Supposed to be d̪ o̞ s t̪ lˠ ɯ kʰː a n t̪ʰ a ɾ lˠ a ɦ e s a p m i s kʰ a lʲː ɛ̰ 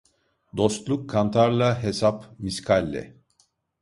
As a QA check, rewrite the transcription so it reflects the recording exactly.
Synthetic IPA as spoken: d̪ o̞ s t̪ lˠ u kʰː a n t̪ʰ a ɾ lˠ a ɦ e s a p m i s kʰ a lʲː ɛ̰

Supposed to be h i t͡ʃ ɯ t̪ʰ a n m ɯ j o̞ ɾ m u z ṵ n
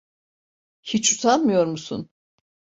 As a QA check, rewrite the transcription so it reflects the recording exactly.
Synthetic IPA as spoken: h i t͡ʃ u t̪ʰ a n m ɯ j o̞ ɾ m u s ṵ n

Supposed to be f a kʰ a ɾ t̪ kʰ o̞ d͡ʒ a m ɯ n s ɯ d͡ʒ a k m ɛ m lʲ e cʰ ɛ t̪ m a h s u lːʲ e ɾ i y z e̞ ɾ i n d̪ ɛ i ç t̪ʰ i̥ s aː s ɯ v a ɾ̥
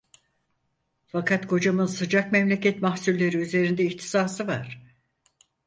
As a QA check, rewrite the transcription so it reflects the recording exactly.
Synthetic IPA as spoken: f a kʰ a t̪ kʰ o̞ d͡ʒ a m ɯ n s ɯ d͡ʒ a k m ɛ m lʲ e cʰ ɛ t̪ m a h s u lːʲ e ɾ i y z e̞ ɾ i n d̪ ɛ i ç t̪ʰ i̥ s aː s ɯ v a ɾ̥

